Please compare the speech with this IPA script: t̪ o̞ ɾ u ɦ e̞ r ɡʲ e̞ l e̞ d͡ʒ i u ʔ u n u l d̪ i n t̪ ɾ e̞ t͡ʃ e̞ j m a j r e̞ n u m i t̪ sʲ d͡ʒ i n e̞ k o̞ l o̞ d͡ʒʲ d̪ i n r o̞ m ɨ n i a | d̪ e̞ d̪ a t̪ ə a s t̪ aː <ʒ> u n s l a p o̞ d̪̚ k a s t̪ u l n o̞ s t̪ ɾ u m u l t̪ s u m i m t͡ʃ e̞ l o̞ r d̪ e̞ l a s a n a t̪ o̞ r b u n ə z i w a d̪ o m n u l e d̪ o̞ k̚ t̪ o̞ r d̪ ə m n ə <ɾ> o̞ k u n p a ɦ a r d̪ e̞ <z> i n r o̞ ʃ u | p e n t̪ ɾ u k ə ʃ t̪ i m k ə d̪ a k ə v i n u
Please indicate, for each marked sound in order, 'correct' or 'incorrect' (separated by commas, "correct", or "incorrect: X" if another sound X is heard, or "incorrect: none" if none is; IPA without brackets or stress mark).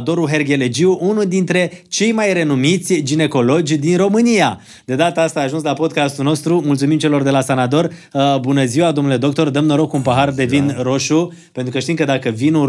correct, correct, incorrect: v